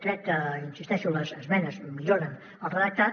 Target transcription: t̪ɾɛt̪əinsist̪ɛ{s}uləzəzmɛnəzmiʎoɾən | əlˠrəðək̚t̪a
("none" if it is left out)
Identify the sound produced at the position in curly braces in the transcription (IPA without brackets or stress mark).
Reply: ʃ